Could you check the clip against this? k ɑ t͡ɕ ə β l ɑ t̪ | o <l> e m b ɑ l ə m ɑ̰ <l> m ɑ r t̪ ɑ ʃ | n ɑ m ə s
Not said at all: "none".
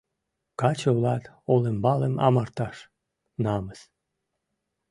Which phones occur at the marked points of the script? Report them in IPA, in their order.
l, none

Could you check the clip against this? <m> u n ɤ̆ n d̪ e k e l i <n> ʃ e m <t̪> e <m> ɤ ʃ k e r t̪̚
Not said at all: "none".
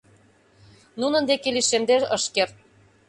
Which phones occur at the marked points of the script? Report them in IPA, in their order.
n, none, d̪, none

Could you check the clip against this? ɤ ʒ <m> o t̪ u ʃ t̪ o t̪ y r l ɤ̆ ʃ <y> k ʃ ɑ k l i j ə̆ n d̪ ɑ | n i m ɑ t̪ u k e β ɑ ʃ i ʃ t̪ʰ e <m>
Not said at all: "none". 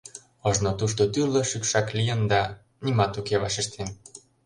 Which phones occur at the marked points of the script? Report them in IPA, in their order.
n, y, n

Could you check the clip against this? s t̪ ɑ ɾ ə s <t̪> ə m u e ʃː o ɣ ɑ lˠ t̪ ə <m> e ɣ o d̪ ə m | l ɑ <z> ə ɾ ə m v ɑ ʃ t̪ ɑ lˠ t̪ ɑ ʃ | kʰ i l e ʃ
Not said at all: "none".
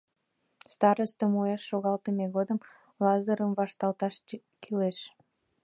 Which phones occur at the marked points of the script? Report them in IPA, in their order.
t̪, m, z

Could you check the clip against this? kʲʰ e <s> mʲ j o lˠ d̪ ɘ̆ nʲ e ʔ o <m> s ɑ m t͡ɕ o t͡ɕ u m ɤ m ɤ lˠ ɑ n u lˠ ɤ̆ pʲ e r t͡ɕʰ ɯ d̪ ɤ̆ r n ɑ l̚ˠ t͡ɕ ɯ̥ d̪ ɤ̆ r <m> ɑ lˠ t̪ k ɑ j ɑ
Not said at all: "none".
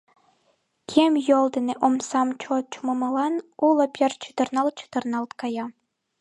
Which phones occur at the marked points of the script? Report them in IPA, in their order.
none, m, n

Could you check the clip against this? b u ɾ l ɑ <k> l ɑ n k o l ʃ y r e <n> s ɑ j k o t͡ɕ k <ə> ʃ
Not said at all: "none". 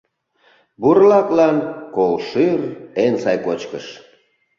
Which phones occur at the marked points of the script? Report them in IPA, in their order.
k, n, ə

